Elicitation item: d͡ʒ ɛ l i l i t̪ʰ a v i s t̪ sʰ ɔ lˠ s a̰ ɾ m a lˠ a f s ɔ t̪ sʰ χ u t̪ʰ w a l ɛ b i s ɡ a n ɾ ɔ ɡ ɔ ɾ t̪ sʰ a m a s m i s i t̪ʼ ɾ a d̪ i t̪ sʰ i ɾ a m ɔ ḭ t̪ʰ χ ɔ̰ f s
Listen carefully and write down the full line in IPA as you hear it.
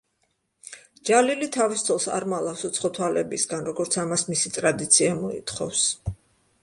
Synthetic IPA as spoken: d͡ʒ a l i l i t̪ʰ a v i s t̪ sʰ ɔ lˠ s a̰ ɾ m a lˠ a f s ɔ t̪ sʰ χ ɔ t̪ʰ w a l ɛ b i s ɡ a n ɾ ɔ ɡ ɔ ɾ t̪ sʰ a m a s m i s i t̪ʼ ɾ a d̪ i t̪ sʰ i a m ɔ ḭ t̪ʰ χ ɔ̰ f s